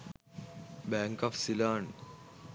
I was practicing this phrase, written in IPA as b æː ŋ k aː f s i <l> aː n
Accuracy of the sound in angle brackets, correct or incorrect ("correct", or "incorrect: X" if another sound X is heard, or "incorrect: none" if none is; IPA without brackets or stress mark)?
correct